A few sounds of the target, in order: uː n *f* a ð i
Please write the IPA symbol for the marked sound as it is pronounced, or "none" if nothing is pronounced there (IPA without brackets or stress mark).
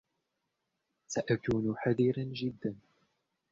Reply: ħ